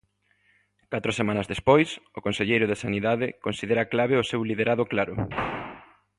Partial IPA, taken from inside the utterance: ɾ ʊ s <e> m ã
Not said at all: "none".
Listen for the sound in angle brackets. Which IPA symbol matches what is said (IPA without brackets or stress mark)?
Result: e